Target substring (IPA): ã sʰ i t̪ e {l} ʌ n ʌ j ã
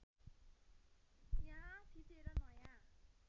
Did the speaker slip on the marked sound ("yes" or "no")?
yes